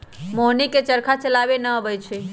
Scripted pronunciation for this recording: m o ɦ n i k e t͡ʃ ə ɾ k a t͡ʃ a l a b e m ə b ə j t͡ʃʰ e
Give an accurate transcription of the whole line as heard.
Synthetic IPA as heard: m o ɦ n i k e t͡ʃ ə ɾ kʰ a t͡ʃ ə l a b e n ə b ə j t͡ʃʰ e